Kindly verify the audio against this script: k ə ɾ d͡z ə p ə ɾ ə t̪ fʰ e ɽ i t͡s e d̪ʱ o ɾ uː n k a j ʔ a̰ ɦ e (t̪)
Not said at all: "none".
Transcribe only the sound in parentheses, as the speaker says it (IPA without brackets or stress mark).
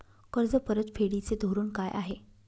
none